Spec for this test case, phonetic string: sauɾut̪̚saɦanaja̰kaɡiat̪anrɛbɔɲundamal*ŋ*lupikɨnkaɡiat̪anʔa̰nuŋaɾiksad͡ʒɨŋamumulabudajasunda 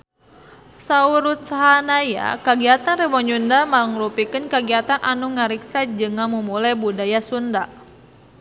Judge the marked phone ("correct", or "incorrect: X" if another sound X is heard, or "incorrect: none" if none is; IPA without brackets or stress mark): correct